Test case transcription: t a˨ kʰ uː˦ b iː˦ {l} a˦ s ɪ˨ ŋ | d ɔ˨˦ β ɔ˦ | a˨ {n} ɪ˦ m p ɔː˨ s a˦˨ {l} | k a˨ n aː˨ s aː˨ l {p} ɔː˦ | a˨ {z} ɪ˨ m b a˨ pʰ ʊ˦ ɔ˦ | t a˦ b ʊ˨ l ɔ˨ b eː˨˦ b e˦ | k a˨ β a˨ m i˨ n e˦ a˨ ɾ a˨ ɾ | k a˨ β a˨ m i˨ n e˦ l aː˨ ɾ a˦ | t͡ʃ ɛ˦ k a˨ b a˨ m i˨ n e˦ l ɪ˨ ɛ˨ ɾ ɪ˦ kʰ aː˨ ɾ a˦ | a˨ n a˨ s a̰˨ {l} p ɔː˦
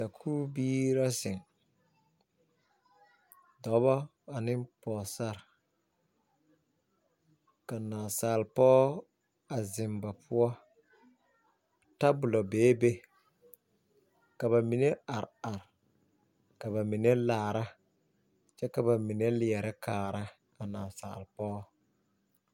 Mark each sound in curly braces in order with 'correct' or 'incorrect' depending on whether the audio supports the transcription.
incorrect, correct, incorrect, correct, correct, correct

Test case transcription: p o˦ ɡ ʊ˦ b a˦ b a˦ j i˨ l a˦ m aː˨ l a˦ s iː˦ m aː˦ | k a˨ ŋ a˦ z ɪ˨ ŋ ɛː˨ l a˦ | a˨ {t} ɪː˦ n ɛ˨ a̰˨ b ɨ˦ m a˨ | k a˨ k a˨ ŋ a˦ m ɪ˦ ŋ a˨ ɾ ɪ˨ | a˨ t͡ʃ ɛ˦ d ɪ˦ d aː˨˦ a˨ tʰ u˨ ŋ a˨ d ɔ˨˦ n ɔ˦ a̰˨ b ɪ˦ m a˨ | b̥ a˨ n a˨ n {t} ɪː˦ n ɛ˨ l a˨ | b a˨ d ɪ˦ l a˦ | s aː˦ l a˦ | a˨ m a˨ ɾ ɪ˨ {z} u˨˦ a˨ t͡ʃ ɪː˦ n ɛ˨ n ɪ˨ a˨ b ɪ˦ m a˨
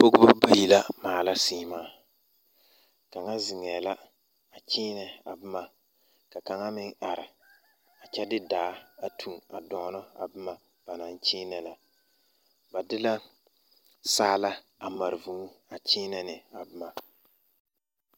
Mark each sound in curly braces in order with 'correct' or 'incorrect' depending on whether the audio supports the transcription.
incorrect, incorrect, incorrect

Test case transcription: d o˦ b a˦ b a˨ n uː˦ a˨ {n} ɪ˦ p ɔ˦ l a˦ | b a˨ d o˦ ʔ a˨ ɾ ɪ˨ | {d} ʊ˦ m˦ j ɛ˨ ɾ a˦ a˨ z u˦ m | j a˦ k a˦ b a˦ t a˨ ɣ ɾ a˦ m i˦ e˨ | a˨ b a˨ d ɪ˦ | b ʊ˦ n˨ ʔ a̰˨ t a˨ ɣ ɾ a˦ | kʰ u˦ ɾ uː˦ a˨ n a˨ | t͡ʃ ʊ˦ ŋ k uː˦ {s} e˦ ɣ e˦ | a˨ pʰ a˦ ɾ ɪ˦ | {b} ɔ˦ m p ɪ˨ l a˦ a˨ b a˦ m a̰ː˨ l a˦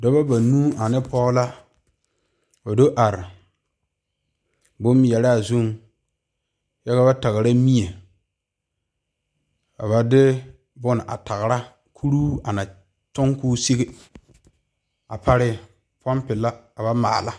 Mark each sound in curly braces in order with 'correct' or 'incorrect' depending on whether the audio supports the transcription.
correct, incorrect, correct, incorrect

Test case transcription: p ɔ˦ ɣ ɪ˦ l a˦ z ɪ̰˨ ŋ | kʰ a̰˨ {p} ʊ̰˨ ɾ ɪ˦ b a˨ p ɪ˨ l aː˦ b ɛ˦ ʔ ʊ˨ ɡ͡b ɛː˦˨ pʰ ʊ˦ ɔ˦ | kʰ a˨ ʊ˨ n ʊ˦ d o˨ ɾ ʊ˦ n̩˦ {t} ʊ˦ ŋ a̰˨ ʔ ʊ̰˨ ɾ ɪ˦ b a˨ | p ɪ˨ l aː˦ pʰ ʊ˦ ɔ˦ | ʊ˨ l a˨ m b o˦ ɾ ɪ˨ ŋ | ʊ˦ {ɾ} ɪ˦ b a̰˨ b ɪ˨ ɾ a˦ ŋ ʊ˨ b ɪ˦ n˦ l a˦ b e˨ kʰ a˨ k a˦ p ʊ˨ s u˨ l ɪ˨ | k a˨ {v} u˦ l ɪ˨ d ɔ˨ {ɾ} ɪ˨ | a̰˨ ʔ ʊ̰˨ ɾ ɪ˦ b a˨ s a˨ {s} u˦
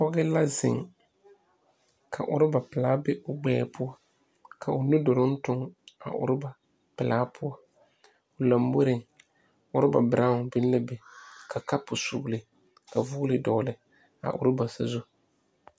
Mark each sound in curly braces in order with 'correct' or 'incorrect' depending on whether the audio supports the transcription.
incorrect, correct, correct, correct, incorrect, incorrect

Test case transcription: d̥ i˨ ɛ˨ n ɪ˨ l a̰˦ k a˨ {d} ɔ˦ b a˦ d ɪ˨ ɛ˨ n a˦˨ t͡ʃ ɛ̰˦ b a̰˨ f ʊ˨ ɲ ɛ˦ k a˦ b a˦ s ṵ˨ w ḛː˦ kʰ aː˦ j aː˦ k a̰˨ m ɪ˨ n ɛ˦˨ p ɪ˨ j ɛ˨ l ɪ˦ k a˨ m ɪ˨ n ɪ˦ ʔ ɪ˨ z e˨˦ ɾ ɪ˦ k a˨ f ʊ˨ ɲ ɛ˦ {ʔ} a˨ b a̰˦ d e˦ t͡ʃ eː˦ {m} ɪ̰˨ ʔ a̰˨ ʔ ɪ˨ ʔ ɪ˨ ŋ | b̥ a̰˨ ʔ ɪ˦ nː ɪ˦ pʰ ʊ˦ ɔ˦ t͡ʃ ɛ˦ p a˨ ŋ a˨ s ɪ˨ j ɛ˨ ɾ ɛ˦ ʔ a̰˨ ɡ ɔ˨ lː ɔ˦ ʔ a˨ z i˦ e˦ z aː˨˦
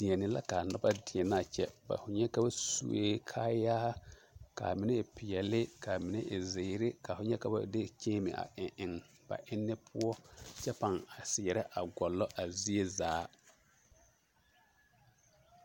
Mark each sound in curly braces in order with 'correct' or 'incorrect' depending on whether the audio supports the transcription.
incorrect, incorrect, correct

